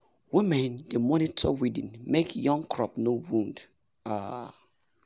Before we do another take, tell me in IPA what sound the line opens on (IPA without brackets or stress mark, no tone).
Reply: w